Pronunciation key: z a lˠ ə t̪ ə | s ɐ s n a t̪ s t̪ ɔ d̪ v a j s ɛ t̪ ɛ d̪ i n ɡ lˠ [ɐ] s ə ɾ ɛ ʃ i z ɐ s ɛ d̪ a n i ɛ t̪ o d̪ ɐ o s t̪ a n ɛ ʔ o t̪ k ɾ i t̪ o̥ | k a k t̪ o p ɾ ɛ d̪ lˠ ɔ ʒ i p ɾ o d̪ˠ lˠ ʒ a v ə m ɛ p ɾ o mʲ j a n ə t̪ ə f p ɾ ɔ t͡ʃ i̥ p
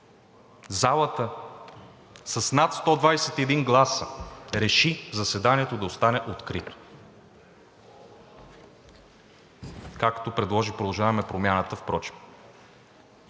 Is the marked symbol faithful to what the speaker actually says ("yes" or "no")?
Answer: no